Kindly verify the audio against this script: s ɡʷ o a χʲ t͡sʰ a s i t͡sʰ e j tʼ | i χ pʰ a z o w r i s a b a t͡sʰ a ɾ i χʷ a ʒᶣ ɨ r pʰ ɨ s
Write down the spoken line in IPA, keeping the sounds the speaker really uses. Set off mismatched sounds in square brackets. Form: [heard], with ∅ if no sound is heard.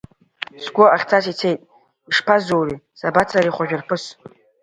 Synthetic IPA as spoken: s ɡʷ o a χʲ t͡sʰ a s i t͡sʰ e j tʼ | i [ʂ] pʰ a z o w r i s a b a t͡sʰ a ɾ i χʷ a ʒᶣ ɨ r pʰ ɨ s